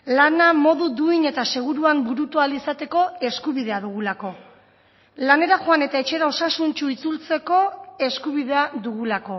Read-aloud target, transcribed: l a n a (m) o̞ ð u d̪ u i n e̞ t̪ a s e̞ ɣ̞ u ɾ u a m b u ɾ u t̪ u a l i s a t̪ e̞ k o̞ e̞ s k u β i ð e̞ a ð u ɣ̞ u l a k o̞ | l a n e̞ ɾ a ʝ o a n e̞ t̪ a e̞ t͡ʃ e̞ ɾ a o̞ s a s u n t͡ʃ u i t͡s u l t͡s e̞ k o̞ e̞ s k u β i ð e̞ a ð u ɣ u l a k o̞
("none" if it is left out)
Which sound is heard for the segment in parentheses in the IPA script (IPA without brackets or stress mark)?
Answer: m